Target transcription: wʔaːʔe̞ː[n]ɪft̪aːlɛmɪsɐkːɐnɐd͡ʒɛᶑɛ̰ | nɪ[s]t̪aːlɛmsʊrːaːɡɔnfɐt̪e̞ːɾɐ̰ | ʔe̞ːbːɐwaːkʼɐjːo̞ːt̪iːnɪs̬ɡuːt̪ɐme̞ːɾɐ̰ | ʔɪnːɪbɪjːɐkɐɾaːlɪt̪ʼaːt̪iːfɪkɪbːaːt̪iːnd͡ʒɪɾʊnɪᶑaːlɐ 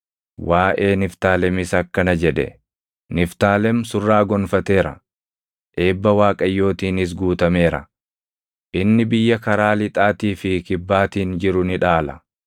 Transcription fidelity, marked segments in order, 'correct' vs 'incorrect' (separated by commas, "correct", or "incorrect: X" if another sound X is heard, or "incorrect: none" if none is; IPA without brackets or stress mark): correct, incorrect: f